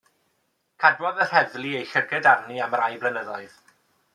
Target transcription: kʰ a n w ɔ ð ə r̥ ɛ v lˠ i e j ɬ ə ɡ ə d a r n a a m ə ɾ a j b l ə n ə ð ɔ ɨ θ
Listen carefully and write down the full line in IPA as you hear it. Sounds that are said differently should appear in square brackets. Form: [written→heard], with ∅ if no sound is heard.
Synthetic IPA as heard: kʰ a [n→d] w ɔ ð ə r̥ ɛ v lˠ i e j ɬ ə ɡ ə d a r n [a→i] a m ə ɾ a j b l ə n ə ð ɔ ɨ [θ→ð]